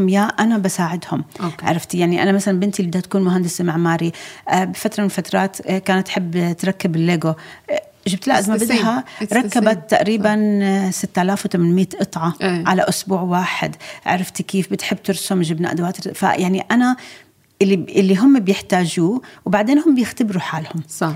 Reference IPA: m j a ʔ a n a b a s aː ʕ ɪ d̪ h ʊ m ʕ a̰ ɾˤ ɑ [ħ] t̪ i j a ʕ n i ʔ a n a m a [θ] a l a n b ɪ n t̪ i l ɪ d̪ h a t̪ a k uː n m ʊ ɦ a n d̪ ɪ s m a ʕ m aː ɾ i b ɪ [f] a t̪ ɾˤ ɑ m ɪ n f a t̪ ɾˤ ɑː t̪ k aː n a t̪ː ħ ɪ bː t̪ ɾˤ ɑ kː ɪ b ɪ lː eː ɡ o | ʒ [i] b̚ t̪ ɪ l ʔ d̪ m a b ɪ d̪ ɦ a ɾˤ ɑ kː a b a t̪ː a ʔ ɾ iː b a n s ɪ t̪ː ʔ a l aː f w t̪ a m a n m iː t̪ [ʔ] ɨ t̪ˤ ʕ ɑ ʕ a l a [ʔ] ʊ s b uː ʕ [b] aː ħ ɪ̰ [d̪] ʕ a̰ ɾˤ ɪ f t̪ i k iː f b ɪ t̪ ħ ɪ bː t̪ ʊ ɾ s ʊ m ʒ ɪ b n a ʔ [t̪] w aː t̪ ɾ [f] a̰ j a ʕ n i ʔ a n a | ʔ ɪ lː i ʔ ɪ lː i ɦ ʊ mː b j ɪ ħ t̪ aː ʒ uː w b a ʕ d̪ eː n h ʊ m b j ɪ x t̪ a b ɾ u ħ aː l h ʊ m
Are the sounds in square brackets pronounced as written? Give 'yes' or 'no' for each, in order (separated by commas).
no, no, yes, no, yes, yes, no, yes, no, yes